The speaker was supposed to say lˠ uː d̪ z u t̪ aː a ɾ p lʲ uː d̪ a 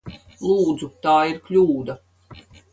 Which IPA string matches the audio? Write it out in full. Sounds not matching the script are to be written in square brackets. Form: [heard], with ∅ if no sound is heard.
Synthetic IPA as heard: lˠ uː d̪ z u t̪ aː [i] ɾ [k] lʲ uː d̪ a